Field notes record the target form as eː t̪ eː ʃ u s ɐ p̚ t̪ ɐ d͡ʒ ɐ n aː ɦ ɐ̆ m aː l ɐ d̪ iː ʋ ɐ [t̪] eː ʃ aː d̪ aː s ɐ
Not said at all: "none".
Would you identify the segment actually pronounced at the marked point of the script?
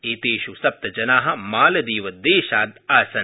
d̪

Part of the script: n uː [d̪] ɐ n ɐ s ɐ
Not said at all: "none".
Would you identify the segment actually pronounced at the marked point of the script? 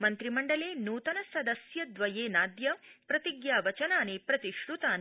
t̪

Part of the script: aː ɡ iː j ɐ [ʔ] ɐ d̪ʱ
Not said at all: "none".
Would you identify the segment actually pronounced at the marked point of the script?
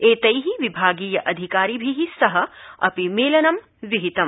ʔ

